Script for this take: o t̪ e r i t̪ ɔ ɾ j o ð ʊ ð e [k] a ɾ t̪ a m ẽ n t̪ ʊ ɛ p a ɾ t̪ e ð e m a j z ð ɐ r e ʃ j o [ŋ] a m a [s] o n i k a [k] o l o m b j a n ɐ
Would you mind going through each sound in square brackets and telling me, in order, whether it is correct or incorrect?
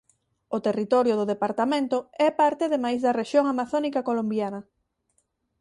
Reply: incorrect, correct, incorrect, correct

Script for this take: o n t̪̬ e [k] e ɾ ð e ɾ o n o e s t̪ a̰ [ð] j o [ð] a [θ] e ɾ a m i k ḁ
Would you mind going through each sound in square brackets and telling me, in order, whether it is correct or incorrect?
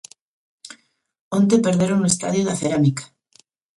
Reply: incorrect, correct, correct, correct

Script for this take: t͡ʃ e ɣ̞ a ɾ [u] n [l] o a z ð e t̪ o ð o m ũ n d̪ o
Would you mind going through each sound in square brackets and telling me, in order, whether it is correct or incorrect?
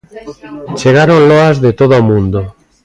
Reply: incorrect, correct

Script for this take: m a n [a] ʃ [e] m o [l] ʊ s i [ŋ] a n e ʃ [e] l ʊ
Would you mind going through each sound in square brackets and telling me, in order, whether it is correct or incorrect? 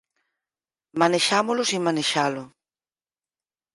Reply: incorrect, incorrect, correct, incorrect, incorrect

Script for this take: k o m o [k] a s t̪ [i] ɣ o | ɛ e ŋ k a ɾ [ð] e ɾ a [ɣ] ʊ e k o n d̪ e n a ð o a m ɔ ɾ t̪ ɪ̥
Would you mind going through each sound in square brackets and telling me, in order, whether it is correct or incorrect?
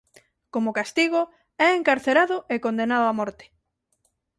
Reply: correct, correct, incorrect, incorrect

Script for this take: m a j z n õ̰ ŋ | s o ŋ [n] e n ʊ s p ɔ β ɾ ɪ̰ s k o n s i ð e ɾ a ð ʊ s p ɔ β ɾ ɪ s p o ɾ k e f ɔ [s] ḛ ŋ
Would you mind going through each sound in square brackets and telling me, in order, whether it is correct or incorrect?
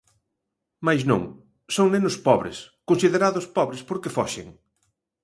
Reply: correct, incorrect

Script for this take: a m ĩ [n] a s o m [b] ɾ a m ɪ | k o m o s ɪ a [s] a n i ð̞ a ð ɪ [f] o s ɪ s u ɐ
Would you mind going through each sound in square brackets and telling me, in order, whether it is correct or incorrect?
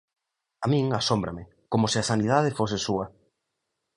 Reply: incorrect, correct, correct, correct

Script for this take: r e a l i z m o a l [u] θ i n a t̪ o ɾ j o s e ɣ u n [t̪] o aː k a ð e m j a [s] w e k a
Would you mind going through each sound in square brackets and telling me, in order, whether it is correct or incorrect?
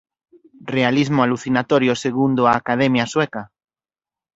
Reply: correct, incorrect, correct

